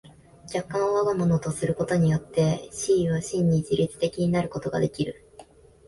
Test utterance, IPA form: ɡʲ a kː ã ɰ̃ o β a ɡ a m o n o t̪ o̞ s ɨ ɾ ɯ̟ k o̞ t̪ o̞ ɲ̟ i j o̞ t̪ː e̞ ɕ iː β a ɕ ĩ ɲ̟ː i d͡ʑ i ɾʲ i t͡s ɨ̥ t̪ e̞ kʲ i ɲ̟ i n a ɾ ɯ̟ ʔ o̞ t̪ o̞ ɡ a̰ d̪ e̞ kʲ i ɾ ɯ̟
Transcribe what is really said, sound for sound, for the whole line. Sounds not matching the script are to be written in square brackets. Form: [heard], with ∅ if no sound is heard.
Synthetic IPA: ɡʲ a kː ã ɰ̃ o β a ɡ a m o n o t̪ o̞ s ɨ ɾ ɯ̟ k o̞ t̪ o̞ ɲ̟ i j o̞ t̪ː e̞ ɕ iː β a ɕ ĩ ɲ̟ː i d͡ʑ i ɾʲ i t͡s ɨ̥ t̪ e̞ kʲ i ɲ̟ i n a ɾ ɯ̟ [k] o̞ t̪ o̞ ɡ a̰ d̪ e̞ kʲ i ɾ ɯ̟

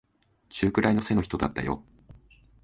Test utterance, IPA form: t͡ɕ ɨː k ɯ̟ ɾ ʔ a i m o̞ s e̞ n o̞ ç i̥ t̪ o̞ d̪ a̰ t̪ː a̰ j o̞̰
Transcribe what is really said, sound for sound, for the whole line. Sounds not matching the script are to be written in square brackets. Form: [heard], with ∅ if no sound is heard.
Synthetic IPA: t͡ɕ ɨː k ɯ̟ ɾ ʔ a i [n] o̞ s e̞ n o̞ ç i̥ t̪ o̞ d̪ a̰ t̪ː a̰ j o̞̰

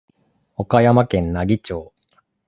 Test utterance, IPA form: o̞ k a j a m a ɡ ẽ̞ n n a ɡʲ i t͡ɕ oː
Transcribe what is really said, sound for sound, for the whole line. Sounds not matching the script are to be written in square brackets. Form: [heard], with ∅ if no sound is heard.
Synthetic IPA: o̞ k a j a m a [k] ẽ̞ n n a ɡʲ i t͡ɕ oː

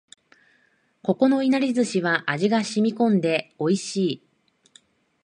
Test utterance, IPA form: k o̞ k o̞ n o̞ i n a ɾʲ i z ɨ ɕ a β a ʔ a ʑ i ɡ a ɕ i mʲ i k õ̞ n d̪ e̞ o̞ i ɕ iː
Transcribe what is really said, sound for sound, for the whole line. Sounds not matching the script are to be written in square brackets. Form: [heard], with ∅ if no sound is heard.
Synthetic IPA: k o̞ k o̞ n o̞ i n a ɾʲ i z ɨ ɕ [i] β a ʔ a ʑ i ɡ a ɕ i mʲ i k õ̞ n d̪ e̞ o̞ i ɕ iː

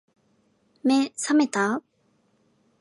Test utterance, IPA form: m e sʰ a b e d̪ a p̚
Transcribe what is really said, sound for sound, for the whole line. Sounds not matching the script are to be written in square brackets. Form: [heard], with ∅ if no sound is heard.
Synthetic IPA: m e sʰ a [m] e [t̪] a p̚

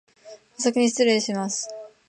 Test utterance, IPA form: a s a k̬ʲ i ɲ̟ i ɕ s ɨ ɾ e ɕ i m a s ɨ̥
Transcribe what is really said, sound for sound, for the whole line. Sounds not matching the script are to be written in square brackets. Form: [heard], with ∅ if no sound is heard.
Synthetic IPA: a s a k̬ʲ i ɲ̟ i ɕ [t͡s] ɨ ɾ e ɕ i m a s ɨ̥

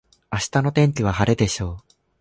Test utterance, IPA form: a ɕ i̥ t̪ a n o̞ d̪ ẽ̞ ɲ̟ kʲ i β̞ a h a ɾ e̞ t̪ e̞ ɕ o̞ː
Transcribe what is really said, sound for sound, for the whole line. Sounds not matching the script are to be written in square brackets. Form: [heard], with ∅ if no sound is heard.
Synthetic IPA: a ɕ i̥ t̪ a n o̞ [t̪] ẽ̞ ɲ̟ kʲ i β̞ a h a ɾ e̞ [d̪] e̞ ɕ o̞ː

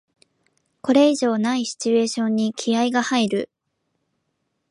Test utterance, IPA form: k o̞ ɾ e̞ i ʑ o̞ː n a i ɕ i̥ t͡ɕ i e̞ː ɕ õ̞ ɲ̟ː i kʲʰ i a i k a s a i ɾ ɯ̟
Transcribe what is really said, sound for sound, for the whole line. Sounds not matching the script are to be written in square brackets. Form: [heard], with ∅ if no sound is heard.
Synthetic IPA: k o̞ ɾ e̞ i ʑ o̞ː n a i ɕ i̥ t͡ɕ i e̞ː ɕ õ̞ ɲ̟ː i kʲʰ i a i [ɡ] a [h] a i ɾ ɯ̟

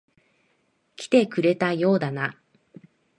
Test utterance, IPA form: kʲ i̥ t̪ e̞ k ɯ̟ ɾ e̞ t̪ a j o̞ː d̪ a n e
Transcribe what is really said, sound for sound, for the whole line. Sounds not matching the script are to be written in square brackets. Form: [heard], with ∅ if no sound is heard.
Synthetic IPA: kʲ i̥ t̪ e̞ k ɯ̟ ɾ e̞ t̪ a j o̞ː d̪ a n [a]

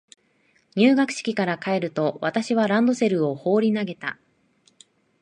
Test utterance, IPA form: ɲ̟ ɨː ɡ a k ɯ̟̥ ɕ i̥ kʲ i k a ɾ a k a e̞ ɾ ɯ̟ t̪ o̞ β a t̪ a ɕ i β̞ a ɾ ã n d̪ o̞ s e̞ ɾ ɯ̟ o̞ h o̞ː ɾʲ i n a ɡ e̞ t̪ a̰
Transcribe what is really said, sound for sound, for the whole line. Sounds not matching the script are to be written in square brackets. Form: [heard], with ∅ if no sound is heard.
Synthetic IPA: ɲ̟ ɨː ɡ a k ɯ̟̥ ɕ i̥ kʲ i k a ɾ a k a e̞ ɾ ɯ̟ t̪ o̞ β a t̪ a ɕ i β̞ a ɾ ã n d̪ o̞ s e̞ ɾ ɯ̟ o̞ h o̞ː ɾʲ i n a ɡ e̞ t̪ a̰

